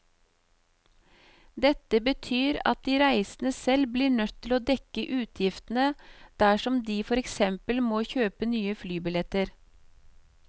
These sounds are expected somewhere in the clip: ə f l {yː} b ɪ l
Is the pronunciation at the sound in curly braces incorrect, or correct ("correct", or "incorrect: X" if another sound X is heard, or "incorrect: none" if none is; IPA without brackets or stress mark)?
correct